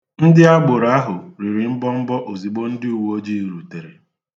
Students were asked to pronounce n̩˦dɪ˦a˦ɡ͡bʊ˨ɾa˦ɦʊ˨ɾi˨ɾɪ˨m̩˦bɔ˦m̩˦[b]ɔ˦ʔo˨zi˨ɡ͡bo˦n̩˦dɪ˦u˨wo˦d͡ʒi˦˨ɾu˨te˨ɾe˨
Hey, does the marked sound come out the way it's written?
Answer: yes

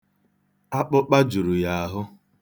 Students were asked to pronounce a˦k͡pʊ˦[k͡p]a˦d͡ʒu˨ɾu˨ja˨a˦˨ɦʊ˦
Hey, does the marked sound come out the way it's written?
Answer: yes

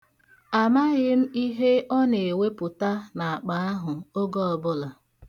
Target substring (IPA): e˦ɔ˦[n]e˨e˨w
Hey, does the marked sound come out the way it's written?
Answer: yes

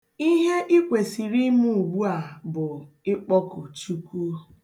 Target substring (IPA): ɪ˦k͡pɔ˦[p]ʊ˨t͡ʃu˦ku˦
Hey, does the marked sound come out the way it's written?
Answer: no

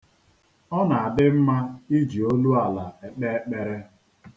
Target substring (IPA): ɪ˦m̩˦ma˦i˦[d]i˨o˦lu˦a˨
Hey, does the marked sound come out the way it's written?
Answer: no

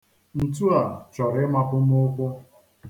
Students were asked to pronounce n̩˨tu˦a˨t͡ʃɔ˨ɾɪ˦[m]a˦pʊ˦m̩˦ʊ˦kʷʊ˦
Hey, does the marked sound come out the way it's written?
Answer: yes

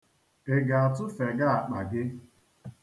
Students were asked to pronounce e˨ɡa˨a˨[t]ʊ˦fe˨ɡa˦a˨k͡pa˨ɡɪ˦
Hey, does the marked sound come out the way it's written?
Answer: yes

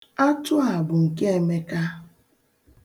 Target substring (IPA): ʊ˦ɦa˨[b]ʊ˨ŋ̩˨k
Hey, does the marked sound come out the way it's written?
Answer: yes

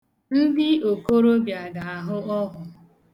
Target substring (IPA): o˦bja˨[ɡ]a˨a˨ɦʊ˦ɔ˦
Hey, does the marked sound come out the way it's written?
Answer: yes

